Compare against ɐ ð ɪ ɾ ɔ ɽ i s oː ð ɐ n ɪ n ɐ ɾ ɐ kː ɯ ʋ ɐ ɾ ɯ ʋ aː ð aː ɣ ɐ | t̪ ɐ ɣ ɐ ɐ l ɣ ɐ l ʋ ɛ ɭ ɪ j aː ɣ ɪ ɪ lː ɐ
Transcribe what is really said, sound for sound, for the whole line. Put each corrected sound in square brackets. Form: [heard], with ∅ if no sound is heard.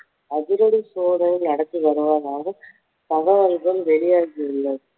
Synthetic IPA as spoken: ɐ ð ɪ ɾ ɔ ɽ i s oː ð ɐ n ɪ n ɐ [ɽ] ɐ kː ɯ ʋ ɐ ɾ ɯ ʋ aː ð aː ɣ ɐ | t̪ ɐ ɣ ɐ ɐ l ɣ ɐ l ʋ ɛ ɭ ɪ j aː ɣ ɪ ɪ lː ɐ